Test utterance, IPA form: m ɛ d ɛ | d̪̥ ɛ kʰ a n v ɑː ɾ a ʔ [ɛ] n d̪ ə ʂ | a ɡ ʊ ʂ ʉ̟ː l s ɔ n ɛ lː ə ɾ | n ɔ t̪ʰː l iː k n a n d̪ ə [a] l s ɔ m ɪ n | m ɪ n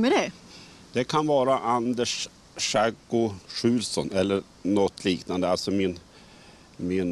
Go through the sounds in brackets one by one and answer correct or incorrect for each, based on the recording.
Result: incorrect, correct

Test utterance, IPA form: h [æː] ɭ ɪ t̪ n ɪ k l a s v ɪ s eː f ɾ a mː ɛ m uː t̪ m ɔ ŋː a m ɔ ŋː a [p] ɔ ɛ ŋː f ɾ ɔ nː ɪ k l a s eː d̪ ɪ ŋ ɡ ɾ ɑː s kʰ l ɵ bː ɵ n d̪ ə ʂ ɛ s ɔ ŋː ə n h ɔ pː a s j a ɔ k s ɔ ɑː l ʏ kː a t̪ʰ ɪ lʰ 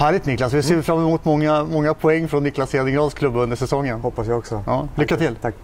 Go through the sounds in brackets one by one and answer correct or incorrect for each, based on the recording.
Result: correct, incorrect

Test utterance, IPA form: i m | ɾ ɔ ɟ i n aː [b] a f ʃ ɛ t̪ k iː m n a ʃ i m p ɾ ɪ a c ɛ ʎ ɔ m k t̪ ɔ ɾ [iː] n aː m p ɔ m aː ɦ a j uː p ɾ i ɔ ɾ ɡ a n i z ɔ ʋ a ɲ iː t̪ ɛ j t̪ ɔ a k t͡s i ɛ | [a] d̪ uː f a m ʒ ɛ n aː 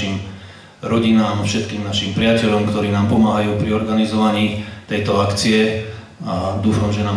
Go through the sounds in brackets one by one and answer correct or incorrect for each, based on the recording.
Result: incorrect, correct, correct

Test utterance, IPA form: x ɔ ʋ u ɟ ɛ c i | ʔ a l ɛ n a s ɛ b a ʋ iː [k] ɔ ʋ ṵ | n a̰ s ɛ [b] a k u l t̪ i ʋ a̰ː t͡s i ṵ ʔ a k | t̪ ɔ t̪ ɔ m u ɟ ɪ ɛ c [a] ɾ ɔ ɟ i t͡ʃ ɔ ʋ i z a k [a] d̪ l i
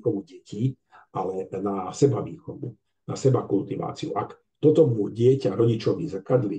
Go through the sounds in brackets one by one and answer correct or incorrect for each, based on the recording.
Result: incorrect, correct, correct, correct

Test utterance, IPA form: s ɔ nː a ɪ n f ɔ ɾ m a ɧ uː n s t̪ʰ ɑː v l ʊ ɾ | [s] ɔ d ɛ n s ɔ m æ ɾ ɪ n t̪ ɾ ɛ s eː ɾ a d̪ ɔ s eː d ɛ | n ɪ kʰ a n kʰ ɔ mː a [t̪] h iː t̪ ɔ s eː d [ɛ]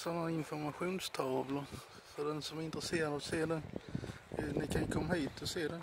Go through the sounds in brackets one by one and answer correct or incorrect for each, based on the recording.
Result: incorrect, incorrect, correct

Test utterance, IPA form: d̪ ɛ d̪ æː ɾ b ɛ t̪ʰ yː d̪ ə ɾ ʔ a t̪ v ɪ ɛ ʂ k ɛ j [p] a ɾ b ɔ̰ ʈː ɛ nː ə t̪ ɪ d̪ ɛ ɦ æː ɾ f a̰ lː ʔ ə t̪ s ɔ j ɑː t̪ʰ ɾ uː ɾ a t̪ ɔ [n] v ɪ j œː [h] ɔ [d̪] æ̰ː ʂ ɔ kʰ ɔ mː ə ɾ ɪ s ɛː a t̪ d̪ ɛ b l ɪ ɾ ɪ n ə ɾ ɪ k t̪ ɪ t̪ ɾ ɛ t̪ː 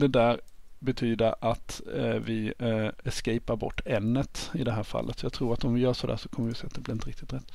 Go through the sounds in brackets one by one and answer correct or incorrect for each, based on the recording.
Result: correct, incorrect, incorrect, correct

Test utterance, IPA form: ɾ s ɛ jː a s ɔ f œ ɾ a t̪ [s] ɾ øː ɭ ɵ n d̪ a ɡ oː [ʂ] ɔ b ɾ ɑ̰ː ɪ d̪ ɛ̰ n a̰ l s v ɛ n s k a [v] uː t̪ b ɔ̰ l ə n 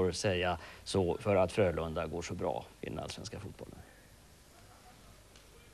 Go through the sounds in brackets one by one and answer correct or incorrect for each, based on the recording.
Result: incorrect, correct, incorrect

